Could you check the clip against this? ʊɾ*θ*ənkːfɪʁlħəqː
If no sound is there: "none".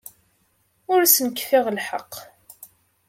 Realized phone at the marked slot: s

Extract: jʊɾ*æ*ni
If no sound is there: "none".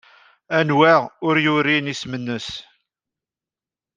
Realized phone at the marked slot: i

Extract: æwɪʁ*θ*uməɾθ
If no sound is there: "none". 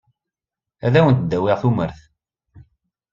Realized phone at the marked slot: θ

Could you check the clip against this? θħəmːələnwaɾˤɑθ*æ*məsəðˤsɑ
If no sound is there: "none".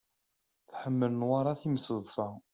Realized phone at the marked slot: i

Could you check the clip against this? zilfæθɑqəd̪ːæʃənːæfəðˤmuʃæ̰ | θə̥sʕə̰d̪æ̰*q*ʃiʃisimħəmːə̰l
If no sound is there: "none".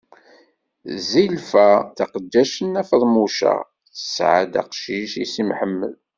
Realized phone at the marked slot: q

